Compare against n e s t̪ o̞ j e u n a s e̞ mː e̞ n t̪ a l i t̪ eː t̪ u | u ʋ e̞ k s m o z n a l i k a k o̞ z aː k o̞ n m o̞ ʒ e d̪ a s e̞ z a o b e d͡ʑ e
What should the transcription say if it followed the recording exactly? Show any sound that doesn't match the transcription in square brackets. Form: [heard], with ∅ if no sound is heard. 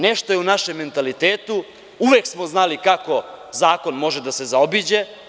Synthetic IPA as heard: n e [ʃ] t̪ o̞ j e u n a [ʃ] e̞ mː e̞ n t̪ a l i t̪ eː t̪ u | u ʋ e̞ k s m o z n a l i k a k o̞ z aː k o̞ n m o̞ ʒ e d̪ a s e̞ z a o b [i] d͡ʑ e